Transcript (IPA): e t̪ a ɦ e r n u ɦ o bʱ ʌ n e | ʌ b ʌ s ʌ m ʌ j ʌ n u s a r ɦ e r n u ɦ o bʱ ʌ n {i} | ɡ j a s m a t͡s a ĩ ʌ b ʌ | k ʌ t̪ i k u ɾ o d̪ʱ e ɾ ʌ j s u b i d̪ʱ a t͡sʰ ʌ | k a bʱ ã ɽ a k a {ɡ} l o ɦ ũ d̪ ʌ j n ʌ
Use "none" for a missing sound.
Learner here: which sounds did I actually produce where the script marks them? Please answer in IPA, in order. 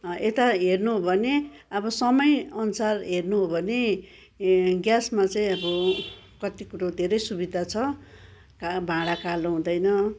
e, none

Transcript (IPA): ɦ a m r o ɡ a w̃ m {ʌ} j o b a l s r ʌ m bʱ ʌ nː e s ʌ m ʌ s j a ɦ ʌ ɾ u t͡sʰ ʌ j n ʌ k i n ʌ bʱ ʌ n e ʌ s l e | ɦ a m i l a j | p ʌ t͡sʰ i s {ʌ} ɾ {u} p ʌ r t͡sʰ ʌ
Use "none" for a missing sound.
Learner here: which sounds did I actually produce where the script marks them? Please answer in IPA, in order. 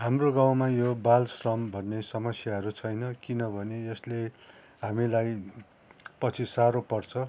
a, a, o

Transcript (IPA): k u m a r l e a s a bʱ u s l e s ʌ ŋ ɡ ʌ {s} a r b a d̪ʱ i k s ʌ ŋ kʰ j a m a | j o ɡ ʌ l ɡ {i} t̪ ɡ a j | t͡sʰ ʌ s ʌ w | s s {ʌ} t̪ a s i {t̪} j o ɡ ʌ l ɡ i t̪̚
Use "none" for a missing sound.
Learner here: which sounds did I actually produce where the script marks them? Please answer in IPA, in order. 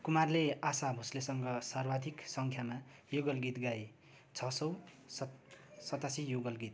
s, i, ʌ, none

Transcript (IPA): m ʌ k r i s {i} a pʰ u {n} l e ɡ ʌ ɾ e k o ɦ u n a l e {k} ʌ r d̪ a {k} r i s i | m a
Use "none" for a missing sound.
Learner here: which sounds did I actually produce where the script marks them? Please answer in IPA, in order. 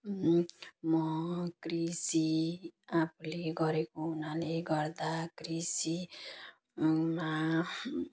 i, none, ɡ, k

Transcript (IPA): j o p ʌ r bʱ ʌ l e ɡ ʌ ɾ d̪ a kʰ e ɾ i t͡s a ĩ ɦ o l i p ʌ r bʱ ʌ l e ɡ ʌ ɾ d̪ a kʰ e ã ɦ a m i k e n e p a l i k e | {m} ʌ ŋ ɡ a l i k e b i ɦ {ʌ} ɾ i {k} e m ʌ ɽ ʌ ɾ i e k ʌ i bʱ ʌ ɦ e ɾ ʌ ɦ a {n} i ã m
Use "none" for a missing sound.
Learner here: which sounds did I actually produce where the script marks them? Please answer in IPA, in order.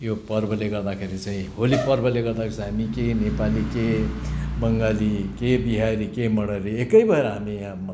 b, a, k, m

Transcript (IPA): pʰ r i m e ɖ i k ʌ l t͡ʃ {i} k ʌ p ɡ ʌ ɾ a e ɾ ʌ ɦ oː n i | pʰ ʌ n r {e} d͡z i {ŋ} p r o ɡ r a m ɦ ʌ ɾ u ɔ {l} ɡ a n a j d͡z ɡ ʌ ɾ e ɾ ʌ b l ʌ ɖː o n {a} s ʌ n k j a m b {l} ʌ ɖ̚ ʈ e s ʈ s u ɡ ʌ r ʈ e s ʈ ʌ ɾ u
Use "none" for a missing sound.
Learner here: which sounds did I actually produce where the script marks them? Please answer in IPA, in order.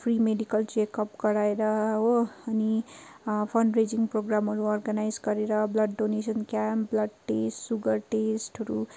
e, e, ŋ, r, e, l

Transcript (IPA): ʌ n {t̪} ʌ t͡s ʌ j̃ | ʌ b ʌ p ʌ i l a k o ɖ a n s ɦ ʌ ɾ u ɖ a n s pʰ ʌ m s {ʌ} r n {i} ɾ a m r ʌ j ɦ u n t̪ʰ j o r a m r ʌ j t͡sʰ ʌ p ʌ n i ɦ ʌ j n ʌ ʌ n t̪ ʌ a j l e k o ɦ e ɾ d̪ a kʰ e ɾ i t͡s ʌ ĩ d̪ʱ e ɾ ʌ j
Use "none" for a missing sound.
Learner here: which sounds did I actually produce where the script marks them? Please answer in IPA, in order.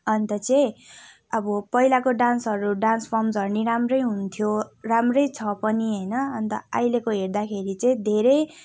t̪, ʌ, i

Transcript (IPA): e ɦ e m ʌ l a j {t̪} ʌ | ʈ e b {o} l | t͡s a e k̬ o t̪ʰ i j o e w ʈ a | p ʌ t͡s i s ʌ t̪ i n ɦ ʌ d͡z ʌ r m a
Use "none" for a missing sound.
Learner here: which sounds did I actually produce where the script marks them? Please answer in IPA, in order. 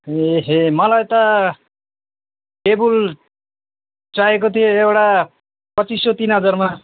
t̪, u

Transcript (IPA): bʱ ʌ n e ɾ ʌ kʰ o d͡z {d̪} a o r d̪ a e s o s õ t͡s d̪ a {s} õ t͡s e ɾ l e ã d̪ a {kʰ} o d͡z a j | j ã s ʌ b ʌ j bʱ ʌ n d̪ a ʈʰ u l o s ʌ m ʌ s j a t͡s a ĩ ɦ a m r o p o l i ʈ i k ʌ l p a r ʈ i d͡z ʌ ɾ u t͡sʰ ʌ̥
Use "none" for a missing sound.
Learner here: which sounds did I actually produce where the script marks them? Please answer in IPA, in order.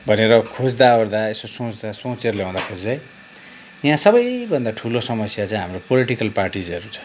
d̪, s, kʰ

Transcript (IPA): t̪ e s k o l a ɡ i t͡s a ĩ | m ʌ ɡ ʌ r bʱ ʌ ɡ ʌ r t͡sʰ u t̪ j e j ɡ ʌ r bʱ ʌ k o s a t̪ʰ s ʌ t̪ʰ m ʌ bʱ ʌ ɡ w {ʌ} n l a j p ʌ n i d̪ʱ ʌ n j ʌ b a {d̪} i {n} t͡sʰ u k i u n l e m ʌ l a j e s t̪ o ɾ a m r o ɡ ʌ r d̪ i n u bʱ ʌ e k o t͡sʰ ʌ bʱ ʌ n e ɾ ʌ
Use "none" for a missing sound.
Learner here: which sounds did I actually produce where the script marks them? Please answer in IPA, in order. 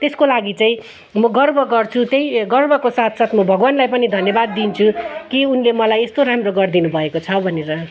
a, d̪ː, n

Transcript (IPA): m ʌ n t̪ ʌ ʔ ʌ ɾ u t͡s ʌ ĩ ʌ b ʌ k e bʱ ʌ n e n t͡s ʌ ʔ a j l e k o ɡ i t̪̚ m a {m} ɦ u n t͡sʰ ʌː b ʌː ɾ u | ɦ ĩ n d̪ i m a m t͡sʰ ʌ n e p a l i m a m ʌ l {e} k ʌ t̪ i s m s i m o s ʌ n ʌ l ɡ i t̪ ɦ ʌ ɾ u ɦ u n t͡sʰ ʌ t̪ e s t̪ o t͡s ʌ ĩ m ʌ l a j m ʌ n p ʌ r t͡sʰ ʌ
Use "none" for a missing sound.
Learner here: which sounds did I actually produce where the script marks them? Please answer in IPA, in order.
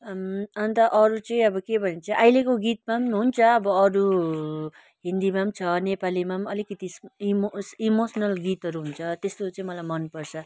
m, i

